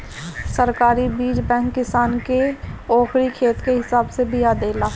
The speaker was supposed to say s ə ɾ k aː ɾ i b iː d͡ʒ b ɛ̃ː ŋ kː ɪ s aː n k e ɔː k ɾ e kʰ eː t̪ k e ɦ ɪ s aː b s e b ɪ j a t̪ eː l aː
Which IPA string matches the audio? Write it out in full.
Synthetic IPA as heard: s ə ɾ k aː ɾ i b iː d͡ʒ b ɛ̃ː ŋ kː ɪ s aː n k e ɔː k ɾ i kʰ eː t̪ k e ɦ ɪ s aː b s e b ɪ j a d̪ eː l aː